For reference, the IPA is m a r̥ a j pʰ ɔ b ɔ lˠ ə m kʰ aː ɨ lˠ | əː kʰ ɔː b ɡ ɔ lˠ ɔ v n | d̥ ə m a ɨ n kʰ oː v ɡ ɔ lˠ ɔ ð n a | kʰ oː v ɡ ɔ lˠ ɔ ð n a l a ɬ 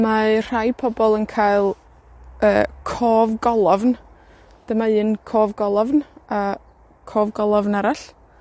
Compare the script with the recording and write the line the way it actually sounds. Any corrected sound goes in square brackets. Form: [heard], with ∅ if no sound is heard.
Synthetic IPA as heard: m a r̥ a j pʰ ɔ b ɔ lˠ ə [n] kʰ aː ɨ lˠ | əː kʰ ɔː [v] ɡ ɔ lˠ ɔ v n | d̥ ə m a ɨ n kʰ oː v ɡ ɔ lˠ ɔ [v] n a | kʰ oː v ɡ ɔ lˠ ɔ [v] n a [ɾ] a ɬ